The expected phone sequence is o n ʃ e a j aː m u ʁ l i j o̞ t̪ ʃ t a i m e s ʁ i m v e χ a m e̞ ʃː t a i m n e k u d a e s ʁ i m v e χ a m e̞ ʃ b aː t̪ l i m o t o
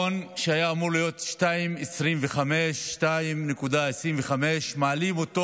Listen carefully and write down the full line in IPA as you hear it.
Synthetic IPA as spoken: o n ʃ e a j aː m u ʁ l i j o̞ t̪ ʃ t a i m e s ʁ i m v e χ a m e̞ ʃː t a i m n e k u d a e s ʁ i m v e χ a m e̞ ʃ m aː l i m o t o